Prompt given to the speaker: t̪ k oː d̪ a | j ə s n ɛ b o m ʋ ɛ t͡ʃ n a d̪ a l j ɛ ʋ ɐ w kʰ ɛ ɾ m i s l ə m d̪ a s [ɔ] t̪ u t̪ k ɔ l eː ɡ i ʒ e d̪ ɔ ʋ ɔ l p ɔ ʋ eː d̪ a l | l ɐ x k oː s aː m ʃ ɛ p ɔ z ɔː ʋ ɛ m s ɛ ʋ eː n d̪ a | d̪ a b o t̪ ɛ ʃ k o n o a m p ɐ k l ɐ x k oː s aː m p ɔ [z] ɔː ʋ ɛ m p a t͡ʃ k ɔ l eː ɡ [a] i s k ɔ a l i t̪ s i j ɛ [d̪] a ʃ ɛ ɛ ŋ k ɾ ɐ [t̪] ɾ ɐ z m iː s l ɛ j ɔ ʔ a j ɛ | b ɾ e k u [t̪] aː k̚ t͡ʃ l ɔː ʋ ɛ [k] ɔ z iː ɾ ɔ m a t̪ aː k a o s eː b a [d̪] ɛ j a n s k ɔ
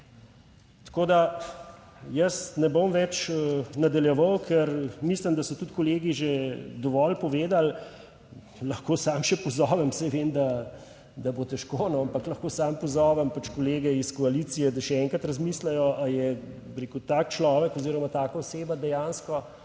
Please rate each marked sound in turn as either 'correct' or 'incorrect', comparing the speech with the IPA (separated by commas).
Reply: correct, correct, incorrect, correct, correct, correct, correct, correct